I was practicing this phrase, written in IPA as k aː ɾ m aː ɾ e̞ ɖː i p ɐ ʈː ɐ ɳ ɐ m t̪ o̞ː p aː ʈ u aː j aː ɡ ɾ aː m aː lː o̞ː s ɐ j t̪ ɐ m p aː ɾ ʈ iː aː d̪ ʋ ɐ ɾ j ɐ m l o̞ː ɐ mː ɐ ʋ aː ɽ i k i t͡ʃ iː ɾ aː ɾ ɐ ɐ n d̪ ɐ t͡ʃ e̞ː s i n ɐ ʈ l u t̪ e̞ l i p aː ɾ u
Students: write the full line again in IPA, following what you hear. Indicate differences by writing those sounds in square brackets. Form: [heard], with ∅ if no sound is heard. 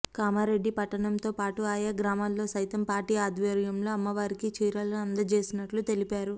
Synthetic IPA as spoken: k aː [∅] m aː ɾ e̞ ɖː i p ɐ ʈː ɐ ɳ ɐ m t̪ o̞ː p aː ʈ u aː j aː ɡ ɾ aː m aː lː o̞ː s ɐ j t̪ ɐ m p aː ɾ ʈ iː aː d̪ ʋ ɐ ɾ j ɐ m l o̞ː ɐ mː ɐ ʋ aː [ɾ] i k i t͡ʃ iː ɾ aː [l] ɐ ɐ n d̪ ɐ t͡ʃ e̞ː s i n ɐ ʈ l u t̪ e̞ l i p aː ɾ u